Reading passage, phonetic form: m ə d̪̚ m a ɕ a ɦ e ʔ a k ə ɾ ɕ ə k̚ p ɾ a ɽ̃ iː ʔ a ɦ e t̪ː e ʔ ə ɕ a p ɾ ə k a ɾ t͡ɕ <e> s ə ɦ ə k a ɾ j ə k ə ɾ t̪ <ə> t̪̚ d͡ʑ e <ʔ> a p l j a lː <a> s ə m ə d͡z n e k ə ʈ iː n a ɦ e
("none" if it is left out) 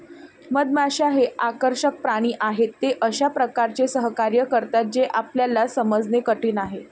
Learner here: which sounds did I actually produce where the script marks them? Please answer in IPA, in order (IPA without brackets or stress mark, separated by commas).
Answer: e, a, ʔ, a